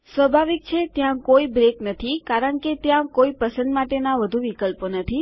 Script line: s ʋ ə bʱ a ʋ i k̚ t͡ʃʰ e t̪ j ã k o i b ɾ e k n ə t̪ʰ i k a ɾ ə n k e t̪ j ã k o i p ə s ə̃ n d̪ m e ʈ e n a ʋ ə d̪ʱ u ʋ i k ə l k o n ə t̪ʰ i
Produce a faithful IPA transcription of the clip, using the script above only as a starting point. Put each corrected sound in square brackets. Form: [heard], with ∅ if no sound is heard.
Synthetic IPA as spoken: s ʋ ə bʱ a ʋ i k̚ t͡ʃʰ e t̪ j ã k o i b ɾ e k n ə t̪ʰ i k a ɾ ə [ɳ] k e t̪ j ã k o i p ə s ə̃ n d̪ m [a] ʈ e n a ʋ ə d̪ʱ u ʋ i k ə l [p] o n ə t̪ʰ i